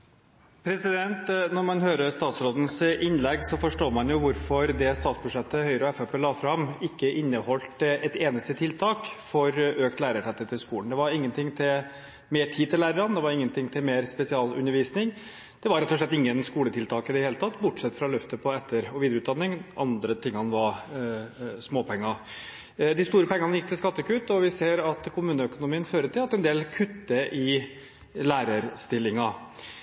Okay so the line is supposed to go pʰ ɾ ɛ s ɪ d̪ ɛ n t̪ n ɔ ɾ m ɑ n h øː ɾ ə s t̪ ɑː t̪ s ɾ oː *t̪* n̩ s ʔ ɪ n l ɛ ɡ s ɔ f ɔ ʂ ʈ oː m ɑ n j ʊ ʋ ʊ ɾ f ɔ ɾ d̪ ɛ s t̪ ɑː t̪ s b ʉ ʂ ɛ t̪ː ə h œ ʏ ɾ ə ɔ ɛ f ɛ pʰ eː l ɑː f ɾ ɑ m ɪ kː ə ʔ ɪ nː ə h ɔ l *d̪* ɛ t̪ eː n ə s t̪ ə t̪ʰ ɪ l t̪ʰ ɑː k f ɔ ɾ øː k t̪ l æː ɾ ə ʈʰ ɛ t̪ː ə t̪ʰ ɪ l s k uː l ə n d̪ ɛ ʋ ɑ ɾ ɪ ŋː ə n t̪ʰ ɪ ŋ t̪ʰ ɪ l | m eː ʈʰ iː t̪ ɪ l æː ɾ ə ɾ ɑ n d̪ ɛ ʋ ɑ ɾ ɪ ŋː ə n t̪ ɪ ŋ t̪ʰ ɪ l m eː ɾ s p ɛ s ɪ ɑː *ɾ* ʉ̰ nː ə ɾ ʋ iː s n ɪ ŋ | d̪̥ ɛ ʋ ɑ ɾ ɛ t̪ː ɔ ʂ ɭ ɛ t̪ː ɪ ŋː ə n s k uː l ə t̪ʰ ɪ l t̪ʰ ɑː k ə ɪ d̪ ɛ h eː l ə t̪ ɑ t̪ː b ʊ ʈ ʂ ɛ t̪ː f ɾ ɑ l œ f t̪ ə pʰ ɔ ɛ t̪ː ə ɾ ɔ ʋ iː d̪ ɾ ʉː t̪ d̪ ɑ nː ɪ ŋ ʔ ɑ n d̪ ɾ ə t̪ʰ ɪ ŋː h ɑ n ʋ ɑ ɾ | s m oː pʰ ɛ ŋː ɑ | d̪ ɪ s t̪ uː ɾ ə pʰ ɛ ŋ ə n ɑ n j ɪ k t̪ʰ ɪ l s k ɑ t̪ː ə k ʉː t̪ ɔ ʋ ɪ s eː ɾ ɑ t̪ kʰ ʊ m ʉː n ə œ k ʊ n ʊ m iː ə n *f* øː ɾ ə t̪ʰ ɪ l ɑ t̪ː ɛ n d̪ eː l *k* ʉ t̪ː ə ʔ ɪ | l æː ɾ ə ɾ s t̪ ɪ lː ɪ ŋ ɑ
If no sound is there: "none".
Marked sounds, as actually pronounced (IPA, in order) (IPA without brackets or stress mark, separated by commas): d̪, t̪, l, f, kʰ